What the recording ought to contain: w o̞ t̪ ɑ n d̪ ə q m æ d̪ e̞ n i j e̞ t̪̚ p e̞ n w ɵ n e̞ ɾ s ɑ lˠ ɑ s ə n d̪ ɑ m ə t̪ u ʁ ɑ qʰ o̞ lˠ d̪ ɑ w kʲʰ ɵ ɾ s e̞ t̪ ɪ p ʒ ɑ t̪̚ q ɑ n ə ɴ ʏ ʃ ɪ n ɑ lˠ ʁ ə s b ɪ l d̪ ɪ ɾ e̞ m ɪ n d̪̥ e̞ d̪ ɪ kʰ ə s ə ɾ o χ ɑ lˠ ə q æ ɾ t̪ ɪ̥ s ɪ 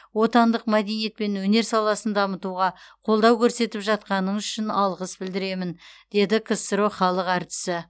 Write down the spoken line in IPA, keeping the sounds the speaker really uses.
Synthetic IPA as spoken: w o̞ t̪ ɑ n d̪ ə q m æ d̪ e̞ n i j e̞ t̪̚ p e̞ n w ɵ n e̞ ɾ s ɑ lˠ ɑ s ə n d̪ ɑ m ə t̪ u ʁ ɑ qʰ o̞ lˠ d̪ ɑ w kʲʰ ɵ ɾ s e̞ t̪ ɪ p ʒ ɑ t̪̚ q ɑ n ə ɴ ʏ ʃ ɪ n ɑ lˠ ʁ ə s b ɪ l d̪ ɪ ɾ e̞ m ɪ n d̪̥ e̞ d̪ ɪ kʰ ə s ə ɾ o χ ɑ lˠ ə q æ ɾ t̪ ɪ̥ s ɪ

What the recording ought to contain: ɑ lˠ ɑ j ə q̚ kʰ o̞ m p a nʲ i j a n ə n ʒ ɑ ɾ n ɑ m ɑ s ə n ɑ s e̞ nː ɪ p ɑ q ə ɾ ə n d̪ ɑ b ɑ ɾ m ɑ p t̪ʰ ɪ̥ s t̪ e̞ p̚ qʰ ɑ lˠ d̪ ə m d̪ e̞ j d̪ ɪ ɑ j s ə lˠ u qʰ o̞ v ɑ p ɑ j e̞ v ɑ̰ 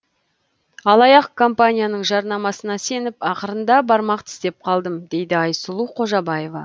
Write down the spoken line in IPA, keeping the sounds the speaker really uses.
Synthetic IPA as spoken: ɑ lˠ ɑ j ɑ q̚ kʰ o̞ m p a nʲ i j a n ə ɴ ʒ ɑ ɾ n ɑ m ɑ s ə n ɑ s e̞ n ɪ p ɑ q ə ɾ ə n d̪ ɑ b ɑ ɾ m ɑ q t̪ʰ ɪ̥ s t̪ e̞ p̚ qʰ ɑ lˠ d̪ ə m d̪ e̞ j d̪ ɪ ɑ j s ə lˠ u qʰ o̞ ʒ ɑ b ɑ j e̞ v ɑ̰

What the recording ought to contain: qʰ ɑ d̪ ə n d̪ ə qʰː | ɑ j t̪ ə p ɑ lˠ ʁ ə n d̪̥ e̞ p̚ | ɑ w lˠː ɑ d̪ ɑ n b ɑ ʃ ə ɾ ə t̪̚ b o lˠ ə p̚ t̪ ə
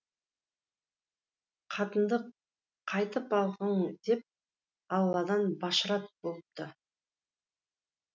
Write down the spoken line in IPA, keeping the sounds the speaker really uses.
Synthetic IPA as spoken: qʰ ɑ t̪ ə n d̪ ə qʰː | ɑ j t̪ ə p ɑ lˠ ʁ ə ɴ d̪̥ e̞ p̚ | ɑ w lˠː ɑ d̪ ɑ n b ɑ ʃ ə ɾ ɑ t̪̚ b o lˠ ə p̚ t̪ ə

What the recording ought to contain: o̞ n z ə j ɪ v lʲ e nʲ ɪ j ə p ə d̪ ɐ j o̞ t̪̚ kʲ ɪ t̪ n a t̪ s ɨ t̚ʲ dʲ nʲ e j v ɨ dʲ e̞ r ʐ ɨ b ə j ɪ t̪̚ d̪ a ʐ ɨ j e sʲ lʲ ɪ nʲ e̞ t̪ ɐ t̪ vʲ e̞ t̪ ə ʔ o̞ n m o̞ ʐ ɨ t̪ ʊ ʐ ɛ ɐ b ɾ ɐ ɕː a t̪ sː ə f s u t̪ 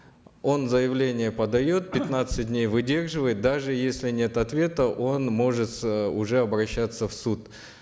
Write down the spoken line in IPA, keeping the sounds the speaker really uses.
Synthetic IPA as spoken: o̞ n z ə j ɪ v lʲ e nʲ ɪ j ə p ə d̪ ɐ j o̞ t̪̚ pʲ ɪ t̪ n a t̪ s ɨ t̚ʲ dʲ nʲ e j v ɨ dʲ e̞ r ʐ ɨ v ə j ɪ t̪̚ d̪ a ʐ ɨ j e sʲ lʲ ɪ nʲ e̞ t̪ ɐ t̪ vʲ e̞ t̪ ə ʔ o̞ n m o̞ ʐ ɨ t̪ ʊ ʐ ɛ ɐ b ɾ ɐ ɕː a t̪ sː ə f s u t̪

